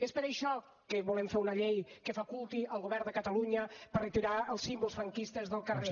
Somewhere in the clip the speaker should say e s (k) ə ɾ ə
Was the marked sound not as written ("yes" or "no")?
yes